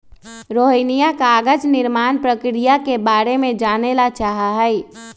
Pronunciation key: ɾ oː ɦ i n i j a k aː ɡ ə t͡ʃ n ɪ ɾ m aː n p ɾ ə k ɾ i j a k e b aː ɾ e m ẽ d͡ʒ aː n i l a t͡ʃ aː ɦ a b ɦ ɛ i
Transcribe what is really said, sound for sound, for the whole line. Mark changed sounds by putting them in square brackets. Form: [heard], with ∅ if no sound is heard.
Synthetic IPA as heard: ɾ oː ɦ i n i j a k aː ɡ ə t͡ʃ n ɪ ɾ m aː n p ɾ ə k ɾ i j a k e b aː ɾ e m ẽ d͡ʒ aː n [e] l a t͡ʃ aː ɦ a [∅] ɦ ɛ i